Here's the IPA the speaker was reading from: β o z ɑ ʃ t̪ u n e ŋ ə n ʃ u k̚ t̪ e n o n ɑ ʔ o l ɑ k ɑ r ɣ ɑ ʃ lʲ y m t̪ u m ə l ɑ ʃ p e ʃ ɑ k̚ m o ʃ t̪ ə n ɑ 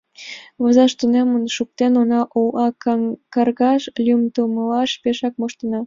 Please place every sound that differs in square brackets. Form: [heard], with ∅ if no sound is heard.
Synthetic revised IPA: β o z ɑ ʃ t̪ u n e [m] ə n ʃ u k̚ t̪ e n o n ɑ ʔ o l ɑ k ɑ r ɣ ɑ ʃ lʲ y m t̪ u m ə l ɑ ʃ p e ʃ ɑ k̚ m o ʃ t̪ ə n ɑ